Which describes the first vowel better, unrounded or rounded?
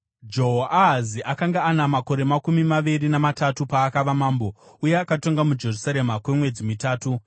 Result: rounded